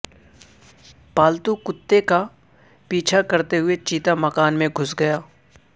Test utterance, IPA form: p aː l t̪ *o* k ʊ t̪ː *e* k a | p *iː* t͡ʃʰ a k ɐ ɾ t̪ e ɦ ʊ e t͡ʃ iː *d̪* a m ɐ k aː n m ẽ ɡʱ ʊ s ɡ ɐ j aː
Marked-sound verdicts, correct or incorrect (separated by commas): incorrect, correct, correct, incorrect